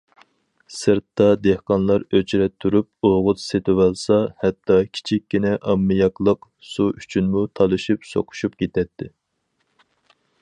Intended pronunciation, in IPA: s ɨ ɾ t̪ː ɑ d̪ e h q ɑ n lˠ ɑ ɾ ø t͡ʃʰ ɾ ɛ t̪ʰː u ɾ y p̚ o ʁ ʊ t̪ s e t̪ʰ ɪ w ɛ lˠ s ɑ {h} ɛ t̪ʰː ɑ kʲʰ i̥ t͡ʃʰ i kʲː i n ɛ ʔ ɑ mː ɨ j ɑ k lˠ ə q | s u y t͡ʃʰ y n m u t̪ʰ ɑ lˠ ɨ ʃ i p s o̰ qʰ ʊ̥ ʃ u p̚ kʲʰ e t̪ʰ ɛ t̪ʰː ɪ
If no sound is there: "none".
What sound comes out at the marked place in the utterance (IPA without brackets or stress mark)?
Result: h